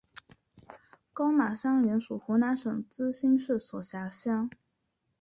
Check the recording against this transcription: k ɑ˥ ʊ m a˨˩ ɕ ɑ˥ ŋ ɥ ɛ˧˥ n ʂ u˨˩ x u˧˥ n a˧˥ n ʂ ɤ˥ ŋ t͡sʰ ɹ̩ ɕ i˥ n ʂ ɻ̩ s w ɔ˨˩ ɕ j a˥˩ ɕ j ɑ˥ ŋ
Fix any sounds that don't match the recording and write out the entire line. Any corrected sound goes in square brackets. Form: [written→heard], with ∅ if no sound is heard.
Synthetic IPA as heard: k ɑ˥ ʊ m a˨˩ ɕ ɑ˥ ŋ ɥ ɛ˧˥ n ʂ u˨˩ x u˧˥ n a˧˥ n ʂ [ɤ˥→ɤ˨˩] ŋ [t͡sʰ→t͡s] ɹ̩ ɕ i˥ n ʂ ɻ̩ s w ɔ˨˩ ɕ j [a˥˩→a˧˥] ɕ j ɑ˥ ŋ